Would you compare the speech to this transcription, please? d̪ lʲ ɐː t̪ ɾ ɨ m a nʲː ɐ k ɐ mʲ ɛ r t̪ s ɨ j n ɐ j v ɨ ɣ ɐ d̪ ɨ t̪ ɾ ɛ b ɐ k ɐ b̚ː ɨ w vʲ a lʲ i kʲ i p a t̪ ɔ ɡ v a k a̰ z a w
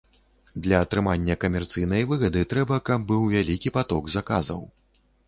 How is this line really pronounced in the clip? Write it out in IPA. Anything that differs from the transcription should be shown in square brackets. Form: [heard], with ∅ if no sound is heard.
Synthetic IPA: d̪ lʲ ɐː t̪ ɾ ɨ m a nʲː ɐ k ɐ mʲ ɛ r t̪ s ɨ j n ɐ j v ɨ ɣ ɐ d̪ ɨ t̪ ɾ ɛ b ɐ k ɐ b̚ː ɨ w vʲ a lʲ i kʲ i p a t̪ ɔ ɡ [z] a k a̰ z [ɐ] w